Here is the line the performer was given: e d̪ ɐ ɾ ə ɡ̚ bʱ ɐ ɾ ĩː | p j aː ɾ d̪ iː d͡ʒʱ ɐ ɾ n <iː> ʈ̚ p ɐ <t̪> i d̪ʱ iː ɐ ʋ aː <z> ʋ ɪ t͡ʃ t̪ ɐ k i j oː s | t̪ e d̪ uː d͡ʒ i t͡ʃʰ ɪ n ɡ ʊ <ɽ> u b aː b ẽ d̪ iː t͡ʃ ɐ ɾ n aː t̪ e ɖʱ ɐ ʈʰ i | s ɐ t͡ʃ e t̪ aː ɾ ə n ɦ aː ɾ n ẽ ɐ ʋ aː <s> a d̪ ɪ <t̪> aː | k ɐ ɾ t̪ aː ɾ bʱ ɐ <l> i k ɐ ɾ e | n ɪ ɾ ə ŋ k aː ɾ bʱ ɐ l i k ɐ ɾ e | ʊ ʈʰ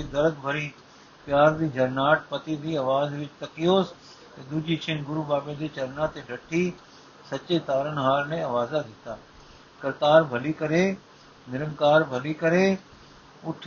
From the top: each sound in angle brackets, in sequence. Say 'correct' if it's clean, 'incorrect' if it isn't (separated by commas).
incorrect, correct, correct, incorrect, incorrect, correct, correct